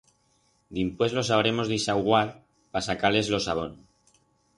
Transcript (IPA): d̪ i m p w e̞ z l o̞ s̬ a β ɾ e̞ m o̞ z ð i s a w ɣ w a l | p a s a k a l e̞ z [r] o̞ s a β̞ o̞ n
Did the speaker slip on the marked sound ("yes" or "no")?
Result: yes